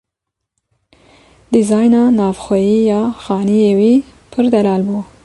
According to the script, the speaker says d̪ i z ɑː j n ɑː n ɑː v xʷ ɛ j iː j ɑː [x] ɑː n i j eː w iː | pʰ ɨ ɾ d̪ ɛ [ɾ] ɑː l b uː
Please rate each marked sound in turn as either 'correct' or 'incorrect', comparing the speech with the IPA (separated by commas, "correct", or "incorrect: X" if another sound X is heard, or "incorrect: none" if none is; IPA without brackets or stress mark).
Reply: correct, incorrect: l